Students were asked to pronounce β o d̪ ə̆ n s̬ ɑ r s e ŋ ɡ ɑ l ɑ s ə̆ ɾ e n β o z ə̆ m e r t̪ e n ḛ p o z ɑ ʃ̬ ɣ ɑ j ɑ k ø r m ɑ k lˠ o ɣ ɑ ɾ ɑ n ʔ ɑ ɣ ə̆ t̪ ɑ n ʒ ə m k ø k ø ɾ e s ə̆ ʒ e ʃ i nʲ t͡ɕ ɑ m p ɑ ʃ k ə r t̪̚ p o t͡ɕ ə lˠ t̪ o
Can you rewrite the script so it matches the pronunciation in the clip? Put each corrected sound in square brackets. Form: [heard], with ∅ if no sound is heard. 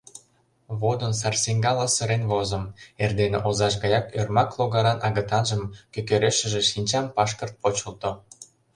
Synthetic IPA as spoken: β o d̪ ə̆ n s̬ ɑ r s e ŋ ɡ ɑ l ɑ s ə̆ ɾ e n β o z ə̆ m e r [d̪] e n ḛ [ʔ] o z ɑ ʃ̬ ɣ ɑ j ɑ k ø r m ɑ k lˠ o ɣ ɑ ɾ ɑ n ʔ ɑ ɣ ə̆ t̪ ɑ n ʒ ə m k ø k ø ɾ e [ʃ] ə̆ ʒ e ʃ i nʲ t͡ɕ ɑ m p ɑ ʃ k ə r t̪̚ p o t͡ɕ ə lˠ t̪ o